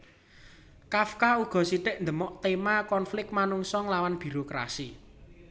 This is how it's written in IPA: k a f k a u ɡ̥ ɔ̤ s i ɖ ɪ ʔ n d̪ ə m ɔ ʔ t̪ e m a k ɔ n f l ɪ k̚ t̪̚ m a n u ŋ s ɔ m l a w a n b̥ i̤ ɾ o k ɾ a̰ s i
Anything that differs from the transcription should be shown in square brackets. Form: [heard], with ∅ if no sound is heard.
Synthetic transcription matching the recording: k a f k a u ɡ̥ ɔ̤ s i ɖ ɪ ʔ n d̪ ə m ɔ ʔ t̪ e m a k ɔ n f l ɪ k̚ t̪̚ m a n u ŋ s ɔ [ŋ] l a w a n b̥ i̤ ɾ o k ɾ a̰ s i